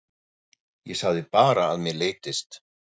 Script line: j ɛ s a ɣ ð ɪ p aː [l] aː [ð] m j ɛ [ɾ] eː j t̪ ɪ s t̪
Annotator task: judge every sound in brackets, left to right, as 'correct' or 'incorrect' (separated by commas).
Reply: incorrect, correct, incorrect